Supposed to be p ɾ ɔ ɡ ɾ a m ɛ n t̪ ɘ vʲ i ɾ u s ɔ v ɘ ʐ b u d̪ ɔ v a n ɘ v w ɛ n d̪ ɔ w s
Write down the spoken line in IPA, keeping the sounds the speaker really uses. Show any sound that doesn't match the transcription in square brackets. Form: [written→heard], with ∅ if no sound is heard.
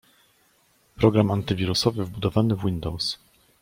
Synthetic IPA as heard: p ɾ ɔ ɡ ɾ a m [ɛ→a] n t̪ ɘ vʲ i ɾ u s ɔ v ɘ [ʐ→v] b u d̪ ɔ v a n ɘ v w [ɛ→i] n d̪ ɔ w s